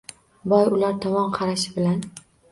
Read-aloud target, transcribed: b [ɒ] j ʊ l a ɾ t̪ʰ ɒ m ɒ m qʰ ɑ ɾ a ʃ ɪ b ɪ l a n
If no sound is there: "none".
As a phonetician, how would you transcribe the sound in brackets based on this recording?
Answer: ɒ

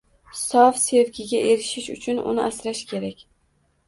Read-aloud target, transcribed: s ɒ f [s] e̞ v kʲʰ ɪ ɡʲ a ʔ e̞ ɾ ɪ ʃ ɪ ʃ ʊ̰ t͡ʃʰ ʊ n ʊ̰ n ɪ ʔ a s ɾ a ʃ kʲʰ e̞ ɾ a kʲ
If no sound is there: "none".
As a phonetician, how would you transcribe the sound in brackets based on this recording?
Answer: s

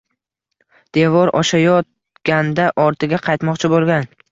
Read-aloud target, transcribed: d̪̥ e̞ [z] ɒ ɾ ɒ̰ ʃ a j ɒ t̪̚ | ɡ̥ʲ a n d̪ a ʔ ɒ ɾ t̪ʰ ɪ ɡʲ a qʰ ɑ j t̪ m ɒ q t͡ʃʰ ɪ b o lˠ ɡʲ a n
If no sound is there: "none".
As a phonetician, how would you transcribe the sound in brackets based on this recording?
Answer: v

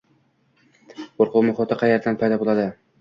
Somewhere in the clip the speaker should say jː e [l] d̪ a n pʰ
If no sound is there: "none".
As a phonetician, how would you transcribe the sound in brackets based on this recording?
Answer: ɾ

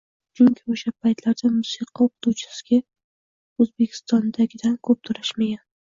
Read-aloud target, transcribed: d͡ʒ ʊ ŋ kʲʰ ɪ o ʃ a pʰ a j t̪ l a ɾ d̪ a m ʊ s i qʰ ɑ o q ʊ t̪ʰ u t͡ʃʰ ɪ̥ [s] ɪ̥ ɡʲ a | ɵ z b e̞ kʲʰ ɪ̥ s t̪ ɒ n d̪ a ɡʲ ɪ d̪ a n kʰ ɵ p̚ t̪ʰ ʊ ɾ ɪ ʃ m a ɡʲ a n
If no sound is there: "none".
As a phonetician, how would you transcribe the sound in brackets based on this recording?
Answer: s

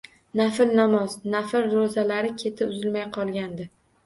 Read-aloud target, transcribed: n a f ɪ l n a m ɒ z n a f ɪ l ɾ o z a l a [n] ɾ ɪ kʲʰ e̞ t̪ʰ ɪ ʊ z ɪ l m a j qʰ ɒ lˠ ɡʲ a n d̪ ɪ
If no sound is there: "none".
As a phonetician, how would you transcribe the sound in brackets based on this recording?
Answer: none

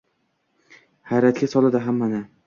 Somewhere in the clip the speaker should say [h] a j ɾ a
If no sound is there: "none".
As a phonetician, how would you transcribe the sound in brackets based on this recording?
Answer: h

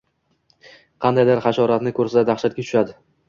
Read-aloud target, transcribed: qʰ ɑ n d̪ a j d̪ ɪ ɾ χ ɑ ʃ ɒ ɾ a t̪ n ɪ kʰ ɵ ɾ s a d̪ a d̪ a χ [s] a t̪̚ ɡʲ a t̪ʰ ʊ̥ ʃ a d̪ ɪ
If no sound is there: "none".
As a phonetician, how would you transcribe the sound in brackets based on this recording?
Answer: ʃ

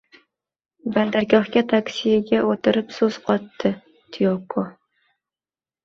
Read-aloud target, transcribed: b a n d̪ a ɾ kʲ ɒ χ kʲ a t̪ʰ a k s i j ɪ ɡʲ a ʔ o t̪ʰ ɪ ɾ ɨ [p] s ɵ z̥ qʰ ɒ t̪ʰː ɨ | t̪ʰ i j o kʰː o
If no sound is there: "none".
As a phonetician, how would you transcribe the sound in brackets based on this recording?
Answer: p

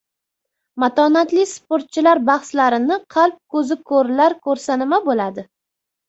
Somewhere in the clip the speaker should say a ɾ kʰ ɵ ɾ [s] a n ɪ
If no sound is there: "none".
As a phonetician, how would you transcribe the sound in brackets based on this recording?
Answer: s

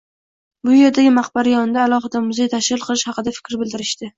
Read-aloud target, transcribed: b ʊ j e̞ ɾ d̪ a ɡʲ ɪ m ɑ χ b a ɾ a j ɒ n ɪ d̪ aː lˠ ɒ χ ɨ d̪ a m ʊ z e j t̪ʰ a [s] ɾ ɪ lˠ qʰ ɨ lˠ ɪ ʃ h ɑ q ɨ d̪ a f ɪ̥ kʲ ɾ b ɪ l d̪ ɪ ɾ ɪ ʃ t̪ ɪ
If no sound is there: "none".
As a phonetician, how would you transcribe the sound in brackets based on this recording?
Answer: ʃ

